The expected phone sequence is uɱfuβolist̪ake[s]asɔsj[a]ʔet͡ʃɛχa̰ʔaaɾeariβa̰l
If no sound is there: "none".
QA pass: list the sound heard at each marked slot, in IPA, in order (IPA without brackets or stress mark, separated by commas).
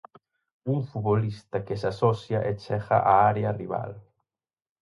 s, a